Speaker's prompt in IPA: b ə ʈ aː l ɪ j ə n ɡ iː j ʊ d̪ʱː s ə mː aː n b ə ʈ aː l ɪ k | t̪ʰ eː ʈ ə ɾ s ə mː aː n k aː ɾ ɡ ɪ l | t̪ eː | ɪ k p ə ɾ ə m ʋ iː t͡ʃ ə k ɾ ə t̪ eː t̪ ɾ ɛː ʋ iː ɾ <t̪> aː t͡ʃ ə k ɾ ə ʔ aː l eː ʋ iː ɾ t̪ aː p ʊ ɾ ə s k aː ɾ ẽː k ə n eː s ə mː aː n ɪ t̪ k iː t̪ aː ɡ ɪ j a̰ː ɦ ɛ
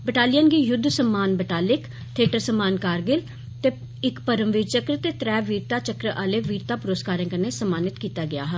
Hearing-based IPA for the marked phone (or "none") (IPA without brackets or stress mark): t̪